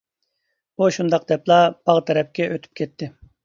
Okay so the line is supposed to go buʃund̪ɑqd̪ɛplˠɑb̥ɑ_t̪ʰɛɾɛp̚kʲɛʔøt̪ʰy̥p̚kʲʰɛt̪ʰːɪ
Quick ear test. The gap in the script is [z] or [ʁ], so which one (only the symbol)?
ʁ